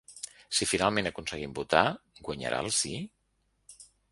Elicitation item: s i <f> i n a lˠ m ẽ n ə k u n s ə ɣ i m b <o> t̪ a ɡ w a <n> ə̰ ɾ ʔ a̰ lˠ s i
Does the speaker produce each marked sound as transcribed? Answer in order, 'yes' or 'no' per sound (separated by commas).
yes, no, no